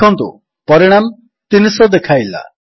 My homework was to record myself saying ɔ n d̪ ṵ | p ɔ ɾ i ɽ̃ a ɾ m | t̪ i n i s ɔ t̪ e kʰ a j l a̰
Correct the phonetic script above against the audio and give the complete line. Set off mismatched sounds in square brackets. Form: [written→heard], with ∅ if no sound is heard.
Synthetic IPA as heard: ɔ n [d̪→t̪] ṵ | p ɔ ɾ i ɽ̃ a [ɾ→∅] m | t̪ i n i s ɔ [t̪→d̪] e kʰ a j l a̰